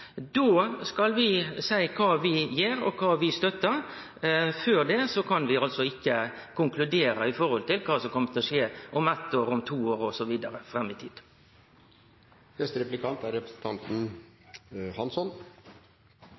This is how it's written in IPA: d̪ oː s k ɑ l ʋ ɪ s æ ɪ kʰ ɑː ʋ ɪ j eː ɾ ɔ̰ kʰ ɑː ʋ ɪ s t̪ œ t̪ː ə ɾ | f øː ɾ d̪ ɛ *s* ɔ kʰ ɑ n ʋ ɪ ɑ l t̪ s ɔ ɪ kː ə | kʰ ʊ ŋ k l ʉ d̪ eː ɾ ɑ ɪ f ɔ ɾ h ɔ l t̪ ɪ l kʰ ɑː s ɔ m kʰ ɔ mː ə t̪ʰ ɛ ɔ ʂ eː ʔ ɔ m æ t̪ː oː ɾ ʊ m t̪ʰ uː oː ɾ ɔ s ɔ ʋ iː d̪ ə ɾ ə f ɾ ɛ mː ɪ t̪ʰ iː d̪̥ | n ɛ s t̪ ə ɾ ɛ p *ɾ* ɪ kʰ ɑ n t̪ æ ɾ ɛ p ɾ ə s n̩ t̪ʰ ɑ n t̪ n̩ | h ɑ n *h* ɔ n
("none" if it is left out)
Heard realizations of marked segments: s, l, s

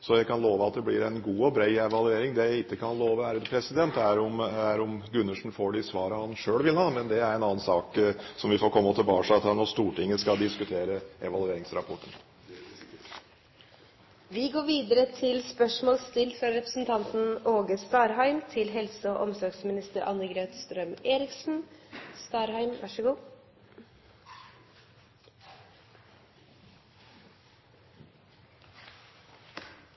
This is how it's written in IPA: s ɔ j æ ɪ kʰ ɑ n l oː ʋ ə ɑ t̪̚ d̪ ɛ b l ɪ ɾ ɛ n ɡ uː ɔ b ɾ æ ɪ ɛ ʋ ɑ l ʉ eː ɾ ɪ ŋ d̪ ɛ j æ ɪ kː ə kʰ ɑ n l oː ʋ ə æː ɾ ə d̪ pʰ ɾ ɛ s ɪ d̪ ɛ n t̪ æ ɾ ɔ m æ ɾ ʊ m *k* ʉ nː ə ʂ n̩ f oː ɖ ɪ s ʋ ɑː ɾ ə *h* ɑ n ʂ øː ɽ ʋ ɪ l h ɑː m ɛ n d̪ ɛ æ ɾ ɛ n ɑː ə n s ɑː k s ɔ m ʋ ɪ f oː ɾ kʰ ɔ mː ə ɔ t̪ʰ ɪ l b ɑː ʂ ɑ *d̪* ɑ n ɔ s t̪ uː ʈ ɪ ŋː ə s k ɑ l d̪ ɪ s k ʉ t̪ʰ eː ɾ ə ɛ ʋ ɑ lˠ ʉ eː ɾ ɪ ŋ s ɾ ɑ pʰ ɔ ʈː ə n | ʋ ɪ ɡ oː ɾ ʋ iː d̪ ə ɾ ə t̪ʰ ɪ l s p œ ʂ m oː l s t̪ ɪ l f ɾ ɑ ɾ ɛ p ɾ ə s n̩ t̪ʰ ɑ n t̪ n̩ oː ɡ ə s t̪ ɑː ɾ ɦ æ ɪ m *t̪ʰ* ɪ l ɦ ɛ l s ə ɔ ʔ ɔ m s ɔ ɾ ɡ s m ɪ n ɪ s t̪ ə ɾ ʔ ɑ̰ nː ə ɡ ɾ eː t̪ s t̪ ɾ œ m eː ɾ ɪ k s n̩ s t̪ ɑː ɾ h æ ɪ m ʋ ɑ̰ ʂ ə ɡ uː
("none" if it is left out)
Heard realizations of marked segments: ɡ, h, t̪, t̪ʰ

